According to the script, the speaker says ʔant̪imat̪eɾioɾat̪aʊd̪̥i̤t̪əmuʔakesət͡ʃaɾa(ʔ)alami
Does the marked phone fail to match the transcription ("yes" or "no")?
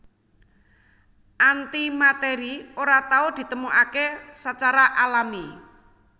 no